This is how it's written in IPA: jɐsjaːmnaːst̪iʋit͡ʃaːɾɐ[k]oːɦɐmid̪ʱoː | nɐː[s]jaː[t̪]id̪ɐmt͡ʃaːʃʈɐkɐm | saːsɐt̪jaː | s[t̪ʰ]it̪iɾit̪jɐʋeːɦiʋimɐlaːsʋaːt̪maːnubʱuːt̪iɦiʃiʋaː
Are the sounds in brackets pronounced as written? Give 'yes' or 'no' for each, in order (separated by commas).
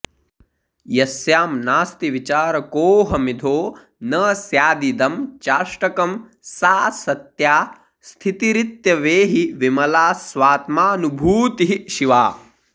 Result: yes, yes, no, yes